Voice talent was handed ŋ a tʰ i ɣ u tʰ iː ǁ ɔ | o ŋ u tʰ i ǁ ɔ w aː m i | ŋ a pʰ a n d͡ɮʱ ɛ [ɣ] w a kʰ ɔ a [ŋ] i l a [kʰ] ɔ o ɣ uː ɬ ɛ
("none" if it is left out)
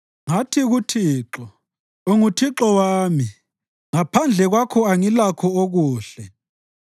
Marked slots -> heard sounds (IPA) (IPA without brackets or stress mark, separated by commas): ɣ, ŋ, kʰ